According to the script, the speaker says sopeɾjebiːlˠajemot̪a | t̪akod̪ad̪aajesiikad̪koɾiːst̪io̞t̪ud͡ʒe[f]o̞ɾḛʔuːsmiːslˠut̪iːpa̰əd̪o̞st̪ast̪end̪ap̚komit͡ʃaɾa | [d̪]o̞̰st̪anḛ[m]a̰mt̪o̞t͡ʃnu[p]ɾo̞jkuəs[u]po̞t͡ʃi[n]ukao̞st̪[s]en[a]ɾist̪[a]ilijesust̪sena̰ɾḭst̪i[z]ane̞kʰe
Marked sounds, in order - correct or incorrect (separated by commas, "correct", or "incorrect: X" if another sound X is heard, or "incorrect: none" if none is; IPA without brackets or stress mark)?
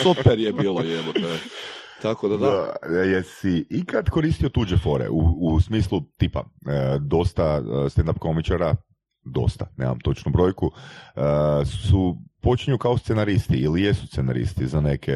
correct, correct, correct, incorrect: b, correct, incorrect: ɲ, correct, correct, incorrect: i, correct